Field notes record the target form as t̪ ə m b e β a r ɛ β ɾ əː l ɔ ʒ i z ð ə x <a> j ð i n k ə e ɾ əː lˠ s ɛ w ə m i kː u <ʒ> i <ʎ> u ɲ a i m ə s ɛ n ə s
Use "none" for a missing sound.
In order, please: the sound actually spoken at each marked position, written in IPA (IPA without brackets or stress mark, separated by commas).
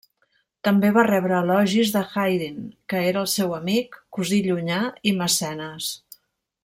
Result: a, z, ʎ